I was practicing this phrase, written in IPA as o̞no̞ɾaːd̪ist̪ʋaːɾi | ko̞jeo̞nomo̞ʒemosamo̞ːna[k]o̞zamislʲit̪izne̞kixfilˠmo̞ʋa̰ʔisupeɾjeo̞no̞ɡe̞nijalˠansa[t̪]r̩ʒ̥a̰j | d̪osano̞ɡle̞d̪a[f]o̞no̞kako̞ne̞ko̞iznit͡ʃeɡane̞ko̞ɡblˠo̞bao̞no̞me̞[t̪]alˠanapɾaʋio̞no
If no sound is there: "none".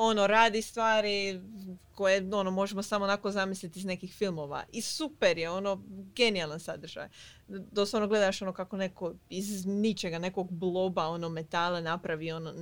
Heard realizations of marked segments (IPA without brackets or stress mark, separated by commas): k, d̪, ʃ, t̪